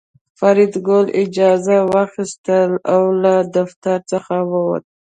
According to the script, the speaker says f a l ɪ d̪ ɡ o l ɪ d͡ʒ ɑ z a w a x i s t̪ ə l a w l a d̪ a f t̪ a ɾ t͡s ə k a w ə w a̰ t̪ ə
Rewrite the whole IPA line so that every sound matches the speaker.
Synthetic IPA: f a ɾ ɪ d̪ ɡ o l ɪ d͡ʒ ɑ z a w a x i s t̪ ə l a w l a d̪ a f t̪ a ɾ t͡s ə x a w ə w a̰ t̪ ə